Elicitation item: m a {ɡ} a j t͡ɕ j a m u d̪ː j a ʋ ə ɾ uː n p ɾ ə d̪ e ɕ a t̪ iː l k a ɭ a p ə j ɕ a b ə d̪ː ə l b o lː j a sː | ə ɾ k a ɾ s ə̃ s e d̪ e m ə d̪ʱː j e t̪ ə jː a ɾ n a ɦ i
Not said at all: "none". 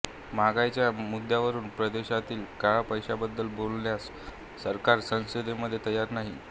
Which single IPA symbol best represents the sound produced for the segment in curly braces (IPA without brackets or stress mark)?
ɡ